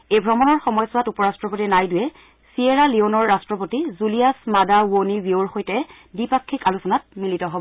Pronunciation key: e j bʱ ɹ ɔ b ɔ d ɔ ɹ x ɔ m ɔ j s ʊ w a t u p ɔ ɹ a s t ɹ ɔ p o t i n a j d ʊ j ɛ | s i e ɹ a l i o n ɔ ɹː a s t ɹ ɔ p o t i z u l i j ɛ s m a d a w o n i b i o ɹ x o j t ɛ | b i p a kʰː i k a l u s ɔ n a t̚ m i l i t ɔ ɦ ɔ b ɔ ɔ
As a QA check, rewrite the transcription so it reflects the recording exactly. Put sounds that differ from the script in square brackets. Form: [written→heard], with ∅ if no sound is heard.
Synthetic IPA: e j bʱ ɹ ɔ [b→m] ɔ [d→n] ɔ ɹ x ɔ m ɔ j s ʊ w a t u p ɔ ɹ a s t ɹ ɔ p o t i n a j d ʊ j ɛ | s i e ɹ a l i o n ɔ ɹː a s t ɹ ɔ p o t i z u l i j [ɛ→a] s m a d a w o n i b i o ɹ x o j t ɛ | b i p a kʰː i k a l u s ɔ n a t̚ m i l i t ɔ ɦ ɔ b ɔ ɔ